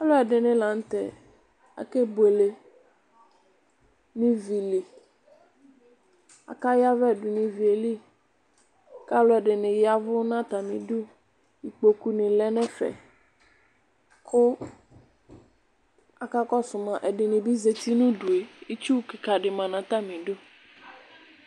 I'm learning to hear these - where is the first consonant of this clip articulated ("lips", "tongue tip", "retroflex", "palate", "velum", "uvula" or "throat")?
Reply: tongue tip